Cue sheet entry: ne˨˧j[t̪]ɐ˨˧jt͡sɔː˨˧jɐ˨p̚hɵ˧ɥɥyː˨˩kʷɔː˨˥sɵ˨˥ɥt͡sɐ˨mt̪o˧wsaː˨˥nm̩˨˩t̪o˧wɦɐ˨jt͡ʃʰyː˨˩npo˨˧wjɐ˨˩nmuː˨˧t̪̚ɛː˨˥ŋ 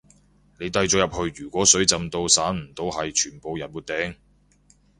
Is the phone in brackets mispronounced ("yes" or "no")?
no